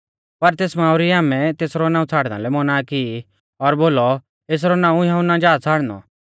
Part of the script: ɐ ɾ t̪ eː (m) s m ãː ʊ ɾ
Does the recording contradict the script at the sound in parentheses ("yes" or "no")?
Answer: yes